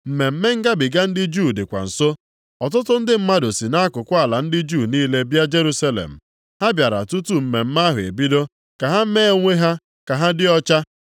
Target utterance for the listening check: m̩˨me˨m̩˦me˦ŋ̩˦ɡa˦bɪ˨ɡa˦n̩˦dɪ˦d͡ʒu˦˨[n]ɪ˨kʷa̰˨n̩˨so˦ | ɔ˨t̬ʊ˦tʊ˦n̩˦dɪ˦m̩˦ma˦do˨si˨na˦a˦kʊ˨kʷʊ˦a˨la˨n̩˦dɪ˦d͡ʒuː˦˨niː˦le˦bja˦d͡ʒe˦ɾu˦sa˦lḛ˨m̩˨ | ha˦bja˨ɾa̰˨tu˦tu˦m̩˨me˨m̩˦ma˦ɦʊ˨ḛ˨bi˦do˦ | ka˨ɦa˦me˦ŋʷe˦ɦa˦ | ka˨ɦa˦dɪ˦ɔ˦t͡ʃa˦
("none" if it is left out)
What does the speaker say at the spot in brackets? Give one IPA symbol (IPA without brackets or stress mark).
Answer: d